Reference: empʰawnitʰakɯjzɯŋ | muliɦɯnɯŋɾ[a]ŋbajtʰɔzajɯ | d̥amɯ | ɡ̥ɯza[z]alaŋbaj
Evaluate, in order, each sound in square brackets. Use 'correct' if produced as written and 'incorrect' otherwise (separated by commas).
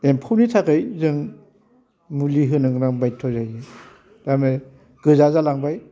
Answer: correct, correct